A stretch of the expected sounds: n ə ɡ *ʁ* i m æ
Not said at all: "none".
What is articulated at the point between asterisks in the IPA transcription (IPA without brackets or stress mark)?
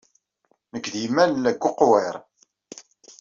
ð